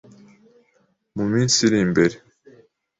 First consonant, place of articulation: labial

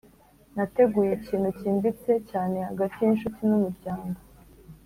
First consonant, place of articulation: alveolar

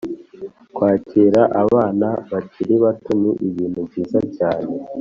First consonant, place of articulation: velar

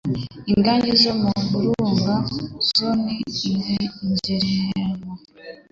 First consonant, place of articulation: velar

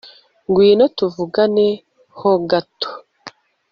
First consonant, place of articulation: velar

